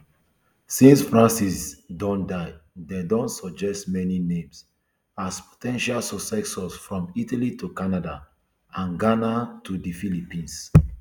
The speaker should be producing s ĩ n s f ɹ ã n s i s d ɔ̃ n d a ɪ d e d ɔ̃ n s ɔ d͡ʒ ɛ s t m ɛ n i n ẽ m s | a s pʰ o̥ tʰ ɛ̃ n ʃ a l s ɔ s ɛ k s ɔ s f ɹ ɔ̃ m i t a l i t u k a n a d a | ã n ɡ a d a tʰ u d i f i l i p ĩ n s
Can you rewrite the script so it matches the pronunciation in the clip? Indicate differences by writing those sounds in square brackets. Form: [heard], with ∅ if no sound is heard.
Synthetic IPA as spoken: s ĩ n s f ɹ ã n s i s d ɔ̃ n d a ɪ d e d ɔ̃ n s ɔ d͡ʒ ɛ s t m ɛ n i n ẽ m s | a s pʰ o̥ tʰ ɛ̃ n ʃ a l s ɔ s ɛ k s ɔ s f ɹ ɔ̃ m i t a l i t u k a n a d a | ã n ɡ a [n] a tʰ u d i f i l i p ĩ n s